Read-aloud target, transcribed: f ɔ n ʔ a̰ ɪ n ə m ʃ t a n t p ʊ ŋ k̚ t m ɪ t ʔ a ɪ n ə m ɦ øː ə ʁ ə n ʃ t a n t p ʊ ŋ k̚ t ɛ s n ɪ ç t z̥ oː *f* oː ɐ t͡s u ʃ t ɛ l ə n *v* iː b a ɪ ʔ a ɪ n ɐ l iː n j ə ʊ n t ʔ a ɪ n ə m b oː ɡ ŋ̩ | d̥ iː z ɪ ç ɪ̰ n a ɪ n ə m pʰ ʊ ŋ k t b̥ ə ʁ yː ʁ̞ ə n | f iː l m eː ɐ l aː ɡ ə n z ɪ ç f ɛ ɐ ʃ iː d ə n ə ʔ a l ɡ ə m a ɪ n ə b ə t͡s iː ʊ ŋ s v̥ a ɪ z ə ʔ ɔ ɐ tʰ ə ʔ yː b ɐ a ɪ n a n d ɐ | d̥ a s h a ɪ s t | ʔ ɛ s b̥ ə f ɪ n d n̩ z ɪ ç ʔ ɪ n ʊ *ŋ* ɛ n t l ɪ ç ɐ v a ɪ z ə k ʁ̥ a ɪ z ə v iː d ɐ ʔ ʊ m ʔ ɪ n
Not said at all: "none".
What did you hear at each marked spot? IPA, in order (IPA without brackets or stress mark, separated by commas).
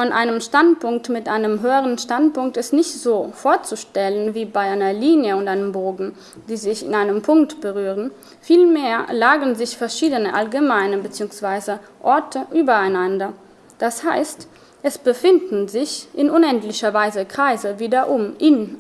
f, v, n